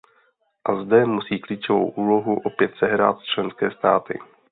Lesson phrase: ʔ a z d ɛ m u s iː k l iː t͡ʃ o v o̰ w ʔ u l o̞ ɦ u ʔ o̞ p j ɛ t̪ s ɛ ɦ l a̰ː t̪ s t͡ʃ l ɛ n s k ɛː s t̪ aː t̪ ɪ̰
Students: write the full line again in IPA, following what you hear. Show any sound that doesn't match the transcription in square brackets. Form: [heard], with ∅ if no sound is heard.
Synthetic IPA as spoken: ʔ a z d ɛ m u s iː k l iː t͡ʃ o v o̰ w ʔ [uː] l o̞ ɦ u ʔ o̞ p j ɛ t̪ s ɛ ɦ [ɾ] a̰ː t̪ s t͡ʃ l ɛ n s k ɛː s t̪ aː t̪ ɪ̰